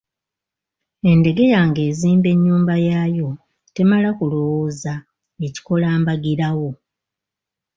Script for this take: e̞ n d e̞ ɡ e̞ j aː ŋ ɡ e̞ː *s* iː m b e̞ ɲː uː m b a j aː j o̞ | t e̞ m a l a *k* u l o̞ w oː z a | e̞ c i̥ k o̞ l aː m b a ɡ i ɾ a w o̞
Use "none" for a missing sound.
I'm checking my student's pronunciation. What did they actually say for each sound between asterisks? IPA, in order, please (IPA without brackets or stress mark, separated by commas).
z, k